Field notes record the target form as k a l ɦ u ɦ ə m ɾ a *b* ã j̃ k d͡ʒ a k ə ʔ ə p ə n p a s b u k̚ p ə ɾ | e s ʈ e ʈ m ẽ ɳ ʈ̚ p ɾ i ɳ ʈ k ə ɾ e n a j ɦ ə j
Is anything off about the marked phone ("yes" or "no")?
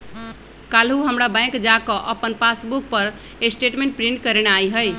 no